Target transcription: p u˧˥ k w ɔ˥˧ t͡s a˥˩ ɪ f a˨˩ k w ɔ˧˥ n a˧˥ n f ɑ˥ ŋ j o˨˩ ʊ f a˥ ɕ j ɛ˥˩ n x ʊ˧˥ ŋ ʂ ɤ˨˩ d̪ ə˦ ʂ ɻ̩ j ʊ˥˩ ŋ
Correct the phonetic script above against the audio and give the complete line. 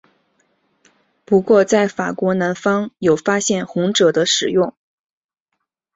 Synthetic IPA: p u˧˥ k w ɔ˥˧ t͡s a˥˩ ɪ f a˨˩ k w ɔ˧˥ n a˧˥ n f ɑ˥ ŋ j o˨˩ ʊ f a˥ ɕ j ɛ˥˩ n x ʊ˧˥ ŋ ʈ͡ʂ ɤ˨˩ d̪ ə˦ ʂ ɻ̩ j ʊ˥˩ ŋ